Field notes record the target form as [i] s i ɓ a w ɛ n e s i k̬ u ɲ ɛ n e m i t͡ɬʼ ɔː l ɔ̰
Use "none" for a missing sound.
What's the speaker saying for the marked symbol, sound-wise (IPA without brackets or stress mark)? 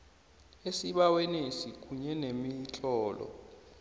e